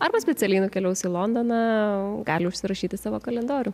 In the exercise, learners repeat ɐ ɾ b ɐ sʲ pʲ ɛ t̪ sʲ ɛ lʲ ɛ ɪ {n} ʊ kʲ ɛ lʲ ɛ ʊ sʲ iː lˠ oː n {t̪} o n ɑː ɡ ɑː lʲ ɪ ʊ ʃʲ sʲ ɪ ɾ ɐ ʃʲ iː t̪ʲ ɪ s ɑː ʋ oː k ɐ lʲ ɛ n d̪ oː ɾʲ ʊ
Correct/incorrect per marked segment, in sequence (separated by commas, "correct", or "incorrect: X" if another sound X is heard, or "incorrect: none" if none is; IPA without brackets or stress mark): correct, incorrect: d̪